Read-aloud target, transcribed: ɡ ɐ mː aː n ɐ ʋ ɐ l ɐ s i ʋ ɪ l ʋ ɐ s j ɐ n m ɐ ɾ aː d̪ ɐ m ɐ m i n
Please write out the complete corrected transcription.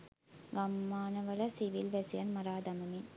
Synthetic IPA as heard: ɡ ɐ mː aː n ɐ ʋ ɐ l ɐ s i ʋ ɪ l ʋ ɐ s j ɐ n m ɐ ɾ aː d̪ ɐ m ɐ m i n